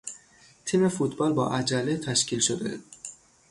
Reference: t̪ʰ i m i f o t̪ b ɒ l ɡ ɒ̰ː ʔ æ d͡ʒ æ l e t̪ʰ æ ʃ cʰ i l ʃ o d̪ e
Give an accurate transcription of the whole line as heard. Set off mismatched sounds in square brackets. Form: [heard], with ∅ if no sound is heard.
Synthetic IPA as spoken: t̪ʰ i m [e] f [u] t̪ b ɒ l [b] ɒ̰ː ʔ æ d͡ʒ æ l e t̪ʰ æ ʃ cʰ i l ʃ o d̪ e